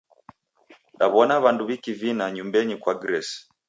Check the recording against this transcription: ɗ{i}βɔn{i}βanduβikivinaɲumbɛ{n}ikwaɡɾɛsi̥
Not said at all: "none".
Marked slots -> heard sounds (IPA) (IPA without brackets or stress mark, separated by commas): a, a, ɲ